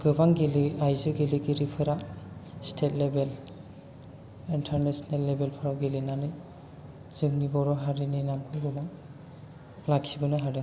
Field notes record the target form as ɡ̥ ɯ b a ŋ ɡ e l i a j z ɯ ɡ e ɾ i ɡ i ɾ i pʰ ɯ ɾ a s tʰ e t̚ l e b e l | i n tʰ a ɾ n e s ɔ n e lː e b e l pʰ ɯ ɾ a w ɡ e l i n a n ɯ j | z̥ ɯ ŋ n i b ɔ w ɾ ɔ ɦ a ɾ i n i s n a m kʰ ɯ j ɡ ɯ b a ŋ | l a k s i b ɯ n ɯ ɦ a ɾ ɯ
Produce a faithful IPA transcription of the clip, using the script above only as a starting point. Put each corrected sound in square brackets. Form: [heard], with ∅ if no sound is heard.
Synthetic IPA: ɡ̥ ɯ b a ŋ ɡ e l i a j z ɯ ɡ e [l] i ɡ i ɾ i pʰ ɯ ɾ a s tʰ e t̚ l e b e l | i n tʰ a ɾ n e s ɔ n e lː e b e l pʰ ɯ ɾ a w ɡ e l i n a n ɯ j | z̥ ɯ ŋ n i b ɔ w ɾ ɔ ɦ a ɾ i n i [∅] n a m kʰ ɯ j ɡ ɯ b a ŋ | l a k s i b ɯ n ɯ ɦ a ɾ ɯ